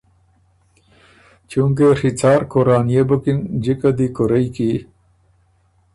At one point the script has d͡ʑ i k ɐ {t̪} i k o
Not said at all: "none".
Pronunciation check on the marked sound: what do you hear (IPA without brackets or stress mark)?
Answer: d̪